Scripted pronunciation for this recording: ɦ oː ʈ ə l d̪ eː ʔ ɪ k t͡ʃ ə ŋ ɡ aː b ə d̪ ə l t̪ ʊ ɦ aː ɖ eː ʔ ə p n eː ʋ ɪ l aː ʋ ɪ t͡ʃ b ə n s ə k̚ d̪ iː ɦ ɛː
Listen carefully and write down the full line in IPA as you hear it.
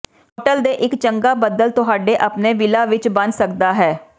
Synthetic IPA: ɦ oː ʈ ə l d̪ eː ʔ ɪ k t͡ʃ ə ŋ ɡ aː b ə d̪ ə l t̪ ʊ ɦ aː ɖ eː ʔ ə p n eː ʋ ɪ l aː ʋ ɪ t͡ʃ b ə n s ə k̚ d̪ aː ɦ ɛː